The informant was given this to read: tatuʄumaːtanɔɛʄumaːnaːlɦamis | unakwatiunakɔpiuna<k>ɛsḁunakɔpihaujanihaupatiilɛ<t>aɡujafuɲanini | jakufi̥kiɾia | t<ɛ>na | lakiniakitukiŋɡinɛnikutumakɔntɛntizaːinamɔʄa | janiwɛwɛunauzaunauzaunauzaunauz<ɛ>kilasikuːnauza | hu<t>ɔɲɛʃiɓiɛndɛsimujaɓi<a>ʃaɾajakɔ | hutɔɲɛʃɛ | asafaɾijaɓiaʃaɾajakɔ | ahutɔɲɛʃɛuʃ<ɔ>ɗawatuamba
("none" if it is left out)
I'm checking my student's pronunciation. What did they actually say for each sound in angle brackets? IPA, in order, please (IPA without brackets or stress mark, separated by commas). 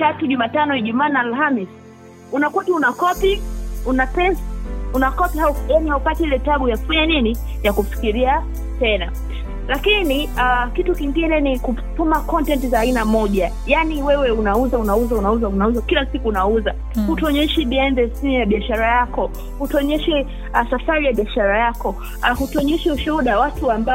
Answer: p, t, ɛ, a, t, a, u